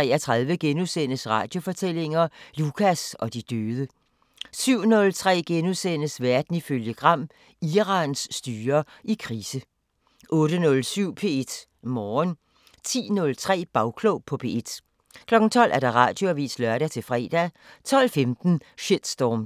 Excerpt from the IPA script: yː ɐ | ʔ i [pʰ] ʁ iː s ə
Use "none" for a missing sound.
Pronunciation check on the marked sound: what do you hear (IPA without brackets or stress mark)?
kʰ